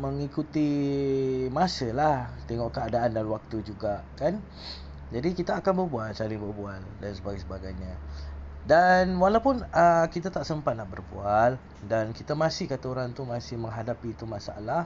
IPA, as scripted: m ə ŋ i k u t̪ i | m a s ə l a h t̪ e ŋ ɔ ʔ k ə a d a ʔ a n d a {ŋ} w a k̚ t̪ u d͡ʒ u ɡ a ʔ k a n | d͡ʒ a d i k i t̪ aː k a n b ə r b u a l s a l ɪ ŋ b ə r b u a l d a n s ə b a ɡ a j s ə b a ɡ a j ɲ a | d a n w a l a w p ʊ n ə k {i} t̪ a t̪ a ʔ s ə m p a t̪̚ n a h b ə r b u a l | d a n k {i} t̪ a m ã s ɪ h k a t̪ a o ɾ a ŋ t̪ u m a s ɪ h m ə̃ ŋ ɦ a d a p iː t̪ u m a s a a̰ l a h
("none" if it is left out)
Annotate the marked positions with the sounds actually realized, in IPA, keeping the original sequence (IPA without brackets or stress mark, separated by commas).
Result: n, i, i